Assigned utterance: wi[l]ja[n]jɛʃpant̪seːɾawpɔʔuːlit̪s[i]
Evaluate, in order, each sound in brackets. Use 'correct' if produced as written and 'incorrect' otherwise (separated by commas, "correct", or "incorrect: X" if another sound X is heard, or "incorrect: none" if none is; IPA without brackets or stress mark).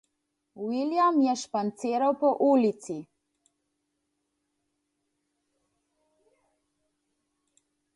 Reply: correct, incorrect: m, correct